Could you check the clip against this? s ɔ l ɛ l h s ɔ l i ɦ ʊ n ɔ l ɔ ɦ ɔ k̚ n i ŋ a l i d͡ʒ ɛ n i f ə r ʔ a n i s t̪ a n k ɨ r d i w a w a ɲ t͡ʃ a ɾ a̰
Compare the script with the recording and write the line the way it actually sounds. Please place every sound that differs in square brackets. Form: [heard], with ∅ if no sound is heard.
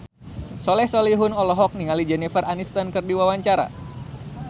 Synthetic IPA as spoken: s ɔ l ɛ [∅] h s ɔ l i ɦ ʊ n ɔ l ɔ ɦ ɔ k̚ n i ŋ a l i d͡ʒ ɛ n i f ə r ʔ a n i s t̪ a n k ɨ r d i w a w a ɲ t͡ʃ a ɾ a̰